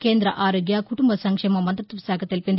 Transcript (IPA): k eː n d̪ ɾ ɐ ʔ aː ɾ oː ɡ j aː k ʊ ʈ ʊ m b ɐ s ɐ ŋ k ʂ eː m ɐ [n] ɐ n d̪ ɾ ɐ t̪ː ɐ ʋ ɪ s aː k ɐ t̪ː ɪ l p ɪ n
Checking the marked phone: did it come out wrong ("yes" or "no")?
yes